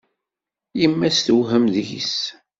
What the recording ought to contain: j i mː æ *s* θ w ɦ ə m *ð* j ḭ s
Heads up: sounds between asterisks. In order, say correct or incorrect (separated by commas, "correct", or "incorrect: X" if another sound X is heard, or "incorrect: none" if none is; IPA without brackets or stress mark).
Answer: correct, correct